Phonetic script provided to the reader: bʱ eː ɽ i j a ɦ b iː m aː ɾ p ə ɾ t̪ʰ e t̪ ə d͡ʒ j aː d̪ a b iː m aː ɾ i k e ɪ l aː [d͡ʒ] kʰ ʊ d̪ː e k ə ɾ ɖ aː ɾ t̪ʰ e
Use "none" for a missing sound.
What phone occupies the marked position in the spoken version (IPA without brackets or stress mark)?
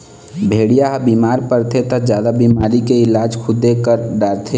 d͡ʒ